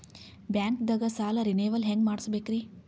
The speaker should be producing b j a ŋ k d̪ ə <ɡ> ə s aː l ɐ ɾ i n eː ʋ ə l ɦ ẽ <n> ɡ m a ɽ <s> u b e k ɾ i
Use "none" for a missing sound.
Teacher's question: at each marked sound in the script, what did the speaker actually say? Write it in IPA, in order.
ɡ, ŋ, s

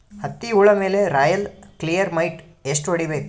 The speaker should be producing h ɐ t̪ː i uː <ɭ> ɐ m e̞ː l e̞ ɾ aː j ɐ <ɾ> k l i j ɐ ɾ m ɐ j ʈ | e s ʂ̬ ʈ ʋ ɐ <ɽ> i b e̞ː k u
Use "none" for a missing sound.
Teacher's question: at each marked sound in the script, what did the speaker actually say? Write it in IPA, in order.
ɭ, l, ɽ

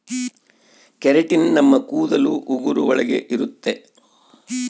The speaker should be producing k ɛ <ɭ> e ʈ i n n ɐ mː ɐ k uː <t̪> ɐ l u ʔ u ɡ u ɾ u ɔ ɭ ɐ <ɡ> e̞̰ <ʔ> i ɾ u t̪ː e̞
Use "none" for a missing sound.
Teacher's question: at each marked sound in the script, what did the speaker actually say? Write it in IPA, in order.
ɾ, d̪, ɡ, ʔ

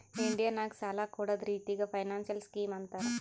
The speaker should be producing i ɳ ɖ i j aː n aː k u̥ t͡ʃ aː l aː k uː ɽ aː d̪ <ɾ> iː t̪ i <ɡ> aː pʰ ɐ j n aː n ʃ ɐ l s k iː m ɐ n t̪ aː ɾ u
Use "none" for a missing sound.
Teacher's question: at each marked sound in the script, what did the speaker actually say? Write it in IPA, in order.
ɾ, ɡ

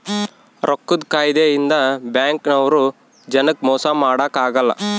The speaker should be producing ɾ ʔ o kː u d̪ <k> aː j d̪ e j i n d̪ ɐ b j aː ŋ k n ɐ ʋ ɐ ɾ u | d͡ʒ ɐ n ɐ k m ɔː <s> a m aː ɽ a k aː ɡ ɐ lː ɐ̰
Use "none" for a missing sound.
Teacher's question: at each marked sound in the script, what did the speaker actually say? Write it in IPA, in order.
k, s

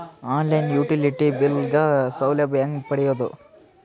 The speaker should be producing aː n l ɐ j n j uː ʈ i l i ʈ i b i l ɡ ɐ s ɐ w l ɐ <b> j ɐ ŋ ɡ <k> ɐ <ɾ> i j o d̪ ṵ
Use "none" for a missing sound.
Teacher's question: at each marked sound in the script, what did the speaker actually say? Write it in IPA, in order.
b, p, ɽ

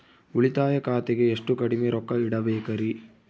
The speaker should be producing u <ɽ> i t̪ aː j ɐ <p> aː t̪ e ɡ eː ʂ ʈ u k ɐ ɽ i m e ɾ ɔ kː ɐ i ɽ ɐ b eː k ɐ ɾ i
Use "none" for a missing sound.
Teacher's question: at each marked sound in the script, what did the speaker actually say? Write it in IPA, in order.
ɭ, k

